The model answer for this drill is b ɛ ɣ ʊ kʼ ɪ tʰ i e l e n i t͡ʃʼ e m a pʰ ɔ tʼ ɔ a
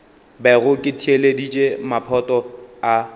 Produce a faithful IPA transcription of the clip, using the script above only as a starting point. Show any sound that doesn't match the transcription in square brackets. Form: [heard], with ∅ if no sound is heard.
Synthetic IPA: b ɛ ɣ ʊ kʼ ɪ tʰ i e l e [d] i t͡ʃʼ e m a pʰ ɔ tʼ ɔ a